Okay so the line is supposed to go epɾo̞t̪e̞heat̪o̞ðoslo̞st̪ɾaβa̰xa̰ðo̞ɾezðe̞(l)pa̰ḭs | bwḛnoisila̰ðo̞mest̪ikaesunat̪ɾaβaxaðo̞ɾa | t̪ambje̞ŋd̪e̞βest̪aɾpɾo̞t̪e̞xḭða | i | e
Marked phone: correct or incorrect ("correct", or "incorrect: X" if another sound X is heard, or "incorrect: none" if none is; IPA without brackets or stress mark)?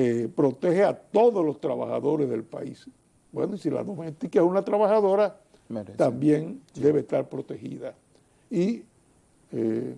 correct